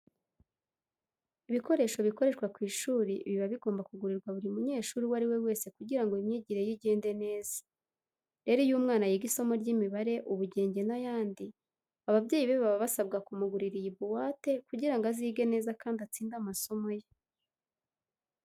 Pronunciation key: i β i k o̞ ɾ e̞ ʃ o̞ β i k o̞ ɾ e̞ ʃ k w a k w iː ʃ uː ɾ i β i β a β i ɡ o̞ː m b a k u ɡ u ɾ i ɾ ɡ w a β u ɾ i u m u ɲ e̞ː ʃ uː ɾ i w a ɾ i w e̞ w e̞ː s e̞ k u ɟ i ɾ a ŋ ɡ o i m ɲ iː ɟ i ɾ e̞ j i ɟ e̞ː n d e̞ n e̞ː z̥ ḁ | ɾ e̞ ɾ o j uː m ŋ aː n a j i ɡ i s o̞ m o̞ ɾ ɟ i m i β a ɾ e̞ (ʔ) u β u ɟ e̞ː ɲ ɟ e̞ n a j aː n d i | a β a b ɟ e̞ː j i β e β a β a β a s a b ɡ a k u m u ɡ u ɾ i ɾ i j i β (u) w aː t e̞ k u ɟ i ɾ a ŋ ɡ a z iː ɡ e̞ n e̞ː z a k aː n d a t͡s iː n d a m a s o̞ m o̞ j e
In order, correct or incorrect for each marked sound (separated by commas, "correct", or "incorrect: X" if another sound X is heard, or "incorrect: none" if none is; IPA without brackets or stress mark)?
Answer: correct, correct